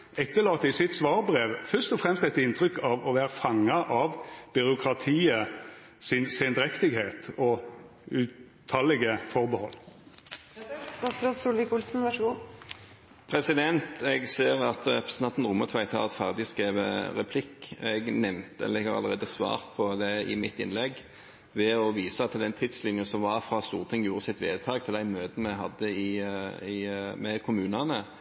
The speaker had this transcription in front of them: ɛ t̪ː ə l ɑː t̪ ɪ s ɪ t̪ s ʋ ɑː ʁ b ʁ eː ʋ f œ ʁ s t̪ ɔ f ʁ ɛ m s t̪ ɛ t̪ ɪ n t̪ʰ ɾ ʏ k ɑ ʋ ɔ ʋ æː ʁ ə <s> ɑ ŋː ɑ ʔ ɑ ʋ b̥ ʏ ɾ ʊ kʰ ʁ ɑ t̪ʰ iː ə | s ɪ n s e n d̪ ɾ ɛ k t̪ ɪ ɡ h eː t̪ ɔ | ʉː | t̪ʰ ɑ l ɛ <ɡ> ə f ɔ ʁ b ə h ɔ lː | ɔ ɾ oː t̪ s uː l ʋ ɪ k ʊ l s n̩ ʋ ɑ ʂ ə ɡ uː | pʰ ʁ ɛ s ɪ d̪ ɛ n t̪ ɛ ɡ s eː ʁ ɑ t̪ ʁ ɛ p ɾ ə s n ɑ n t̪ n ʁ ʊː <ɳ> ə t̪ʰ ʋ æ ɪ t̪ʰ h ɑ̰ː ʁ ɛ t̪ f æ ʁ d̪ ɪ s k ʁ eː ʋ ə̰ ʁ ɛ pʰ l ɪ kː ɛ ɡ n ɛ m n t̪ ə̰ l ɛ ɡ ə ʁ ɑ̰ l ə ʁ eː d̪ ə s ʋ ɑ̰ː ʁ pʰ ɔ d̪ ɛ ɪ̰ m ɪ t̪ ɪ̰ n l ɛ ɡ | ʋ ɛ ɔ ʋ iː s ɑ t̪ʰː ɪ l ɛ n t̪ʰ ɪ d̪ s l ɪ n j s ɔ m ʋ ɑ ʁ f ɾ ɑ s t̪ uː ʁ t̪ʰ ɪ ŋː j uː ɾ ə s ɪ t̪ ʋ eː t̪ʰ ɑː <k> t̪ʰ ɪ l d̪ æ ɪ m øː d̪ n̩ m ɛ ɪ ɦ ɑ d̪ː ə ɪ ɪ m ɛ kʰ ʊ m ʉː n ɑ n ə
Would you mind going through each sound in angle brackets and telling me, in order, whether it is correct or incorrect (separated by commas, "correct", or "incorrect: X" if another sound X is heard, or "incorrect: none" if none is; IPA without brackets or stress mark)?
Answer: incorrect: f, correct, incorrect: m, incorrect: ɡ